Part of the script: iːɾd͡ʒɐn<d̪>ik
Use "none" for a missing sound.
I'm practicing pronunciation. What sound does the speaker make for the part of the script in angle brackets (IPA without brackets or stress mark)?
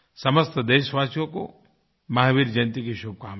t̪